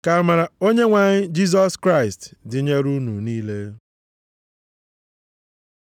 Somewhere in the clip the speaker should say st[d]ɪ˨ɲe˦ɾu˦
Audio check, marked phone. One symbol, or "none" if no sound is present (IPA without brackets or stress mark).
d